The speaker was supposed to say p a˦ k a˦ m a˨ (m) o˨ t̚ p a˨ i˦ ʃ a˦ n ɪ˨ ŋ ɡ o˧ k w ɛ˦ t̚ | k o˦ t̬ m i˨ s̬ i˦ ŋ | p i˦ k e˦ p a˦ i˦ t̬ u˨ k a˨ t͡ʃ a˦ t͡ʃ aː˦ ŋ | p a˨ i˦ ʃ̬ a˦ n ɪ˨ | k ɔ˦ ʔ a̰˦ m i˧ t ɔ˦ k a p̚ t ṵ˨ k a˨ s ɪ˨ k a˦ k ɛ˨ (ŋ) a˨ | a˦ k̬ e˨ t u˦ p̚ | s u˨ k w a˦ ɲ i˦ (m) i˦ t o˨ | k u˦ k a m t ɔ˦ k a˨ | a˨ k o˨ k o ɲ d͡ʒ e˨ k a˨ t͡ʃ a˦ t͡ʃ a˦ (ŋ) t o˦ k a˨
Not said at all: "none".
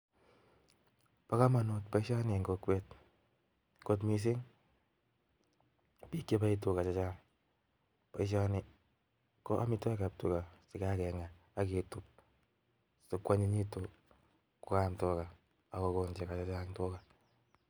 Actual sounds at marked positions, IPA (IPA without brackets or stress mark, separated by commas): n, ŋ, ɲ, ŋ